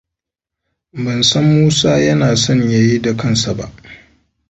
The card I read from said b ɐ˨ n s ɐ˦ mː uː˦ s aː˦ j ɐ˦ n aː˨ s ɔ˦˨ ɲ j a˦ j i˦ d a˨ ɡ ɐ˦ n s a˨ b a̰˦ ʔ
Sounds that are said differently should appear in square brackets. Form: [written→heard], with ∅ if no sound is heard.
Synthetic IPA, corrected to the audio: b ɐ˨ n s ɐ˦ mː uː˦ s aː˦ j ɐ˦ n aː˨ s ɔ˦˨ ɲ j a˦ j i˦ d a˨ [ɡ→k] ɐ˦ n s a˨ b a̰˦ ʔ